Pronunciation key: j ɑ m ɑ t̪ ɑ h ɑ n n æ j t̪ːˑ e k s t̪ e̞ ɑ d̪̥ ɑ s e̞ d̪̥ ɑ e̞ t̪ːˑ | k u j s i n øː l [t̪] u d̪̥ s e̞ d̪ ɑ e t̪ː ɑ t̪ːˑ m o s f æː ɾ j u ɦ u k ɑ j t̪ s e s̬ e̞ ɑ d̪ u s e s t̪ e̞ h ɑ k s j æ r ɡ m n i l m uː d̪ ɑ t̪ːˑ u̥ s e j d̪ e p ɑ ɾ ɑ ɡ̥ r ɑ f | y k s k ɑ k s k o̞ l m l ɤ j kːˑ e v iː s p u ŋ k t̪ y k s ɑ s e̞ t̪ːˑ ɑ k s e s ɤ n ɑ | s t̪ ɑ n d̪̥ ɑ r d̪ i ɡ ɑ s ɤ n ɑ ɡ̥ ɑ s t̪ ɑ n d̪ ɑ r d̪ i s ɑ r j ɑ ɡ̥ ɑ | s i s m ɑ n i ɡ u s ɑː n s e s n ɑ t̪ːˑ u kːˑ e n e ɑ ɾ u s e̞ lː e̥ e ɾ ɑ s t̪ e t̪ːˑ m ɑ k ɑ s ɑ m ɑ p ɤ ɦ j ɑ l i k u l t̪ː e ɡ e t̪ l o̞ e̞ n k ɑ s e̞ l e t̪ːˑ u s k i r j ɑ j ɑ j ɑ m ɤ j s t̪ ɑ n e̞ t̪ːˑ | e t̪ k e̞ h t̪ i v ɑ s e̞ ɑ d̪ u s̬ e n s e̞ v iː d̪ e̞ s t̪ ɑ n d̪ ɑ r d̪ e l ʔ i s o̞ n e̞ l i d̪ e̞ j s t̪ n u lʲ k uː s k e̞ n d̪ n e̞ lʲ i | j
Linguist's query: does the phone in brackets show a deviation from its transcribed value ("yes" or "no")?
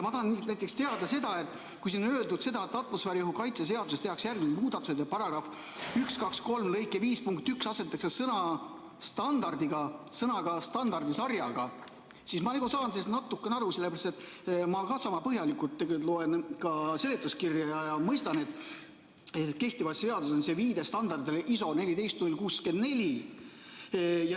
yes